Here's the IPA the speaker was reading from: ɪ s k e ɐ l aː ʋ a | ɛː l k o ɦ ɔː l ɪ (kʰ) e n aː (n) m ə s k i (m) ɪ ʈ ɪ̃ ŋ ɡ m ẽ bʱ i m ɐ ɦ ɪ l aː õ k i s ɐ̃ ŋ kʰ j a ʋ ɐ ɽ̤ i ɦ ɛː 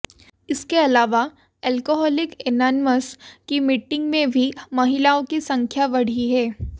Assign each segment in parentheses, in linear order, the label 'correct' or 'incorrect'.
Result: incorrect, correct, correct

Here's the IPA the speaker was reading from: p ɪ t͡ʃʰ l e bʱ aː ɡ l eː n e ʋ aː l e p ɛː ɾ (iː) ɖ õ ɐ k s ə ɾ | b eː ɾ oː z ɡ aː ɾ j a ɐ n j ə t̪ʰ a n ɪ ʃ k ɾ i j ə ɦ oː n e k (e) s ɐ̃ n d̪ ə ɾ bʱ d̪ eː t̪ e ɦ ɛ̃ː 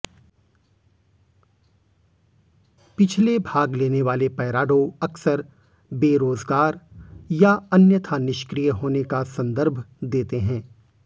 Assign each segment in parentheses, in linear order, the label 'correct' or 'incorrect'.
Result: incorrect, incorrect

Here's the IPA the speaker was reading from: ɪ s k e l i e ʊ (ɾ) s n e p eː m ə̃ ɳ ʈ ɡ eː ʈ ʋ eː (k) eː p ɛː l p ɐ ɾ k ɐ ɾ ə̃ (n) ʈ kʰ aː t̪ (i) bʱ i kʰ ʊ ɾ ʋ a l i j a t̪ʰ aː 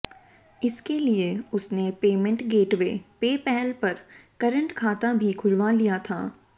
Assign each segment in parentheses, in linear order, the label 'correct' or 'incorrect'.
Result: incorrect, incorrect, incorrect, incorrect

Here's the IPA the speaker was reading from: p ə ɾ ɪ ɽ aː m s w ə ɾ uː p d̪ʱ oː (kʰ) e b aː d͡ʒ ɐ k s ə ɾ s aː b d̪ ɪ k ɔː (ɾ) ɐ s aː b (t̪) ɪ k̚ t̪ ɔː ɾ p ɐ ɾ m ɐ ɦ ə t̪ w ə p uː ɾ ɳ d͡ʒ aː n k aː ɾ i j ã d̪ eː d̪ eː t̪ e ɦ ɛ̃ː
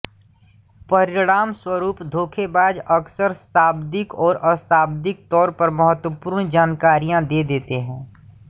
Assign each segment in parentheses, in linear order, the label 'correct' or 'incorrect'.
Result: correct, correct, incorrect

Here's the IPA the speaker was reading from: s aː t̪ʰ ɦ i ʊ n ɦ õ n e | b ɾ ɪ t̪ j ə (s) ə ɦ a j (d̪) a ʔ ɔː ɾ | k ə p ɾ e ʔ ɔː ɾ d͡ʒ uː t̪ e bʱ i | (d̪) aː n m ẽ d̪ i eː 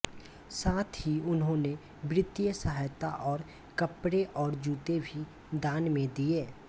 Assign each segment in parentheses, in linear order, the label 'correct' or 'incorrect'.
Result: correct, incorrect, correct

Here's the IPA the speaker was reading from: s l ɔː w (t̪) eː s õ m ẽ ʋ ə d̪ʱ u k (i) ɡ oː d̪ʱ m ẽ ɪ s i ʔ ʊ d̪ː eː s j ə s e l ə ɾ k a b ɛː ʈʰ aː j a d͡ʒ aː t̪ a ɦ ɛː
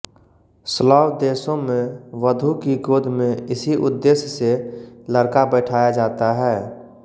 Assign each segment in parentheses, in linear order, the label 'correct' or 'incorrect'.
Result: incorrect, correct

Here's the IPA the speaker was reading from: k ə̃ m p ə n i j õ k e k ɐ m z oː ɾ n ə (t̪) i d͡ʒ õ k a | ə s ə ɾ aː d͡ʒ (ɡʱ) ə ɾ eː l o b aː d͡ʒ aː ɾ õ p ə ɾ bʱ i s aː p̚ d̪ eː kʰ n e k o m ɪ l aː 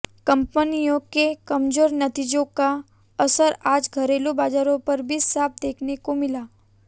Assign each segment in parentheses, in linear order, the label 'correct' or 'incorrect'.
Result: correct, correct

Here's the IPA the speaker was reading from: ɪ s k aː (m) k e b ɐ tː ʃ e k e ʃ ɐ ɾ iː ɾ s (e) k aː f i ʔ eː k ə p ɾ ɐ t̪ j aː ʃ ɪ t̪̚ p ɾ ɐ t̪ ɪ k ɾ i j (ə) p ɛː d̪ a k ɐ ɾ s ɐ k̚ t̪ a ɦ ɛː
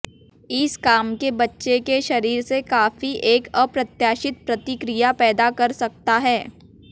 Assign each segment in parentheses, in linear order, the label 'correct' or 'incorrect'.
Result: correct, correct, incorrect

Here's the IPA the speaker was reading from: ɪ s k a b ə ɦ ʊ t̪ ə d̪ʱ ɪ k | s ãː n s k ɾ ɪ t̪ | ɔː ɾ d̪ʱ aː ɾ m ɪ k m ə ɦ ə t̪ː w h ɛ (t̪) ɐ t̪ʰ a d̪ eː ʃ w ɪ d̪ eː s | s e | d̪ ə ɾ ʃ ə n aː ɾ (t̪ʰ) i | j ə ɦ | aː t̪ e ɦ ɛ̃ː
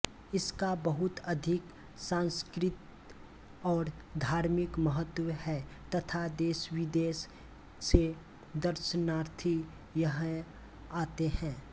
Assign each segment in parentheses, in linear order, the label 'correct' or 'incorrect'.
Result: correct, correct

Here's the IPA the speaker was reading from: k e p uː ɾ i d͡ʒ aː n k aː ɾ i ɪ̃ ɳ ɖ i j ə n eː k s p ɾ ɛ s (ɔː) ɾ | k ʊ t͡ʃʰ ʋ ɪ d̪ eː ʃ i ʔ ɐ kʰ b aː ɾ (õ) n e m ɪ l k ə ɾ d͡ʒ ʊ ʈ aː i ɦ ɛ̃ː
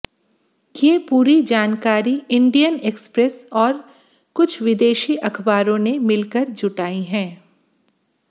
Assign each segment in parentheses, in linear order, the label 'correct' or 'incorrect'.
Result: correct, correct

